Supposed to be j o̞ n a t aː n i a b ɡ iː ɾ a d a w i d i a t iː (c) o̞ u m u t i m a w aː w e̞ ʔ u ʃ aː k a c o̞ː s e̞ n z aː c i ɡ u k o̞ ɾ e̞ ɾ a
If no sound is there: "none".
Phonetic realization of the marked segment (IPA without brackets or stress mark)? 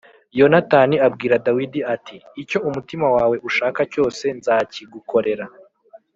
c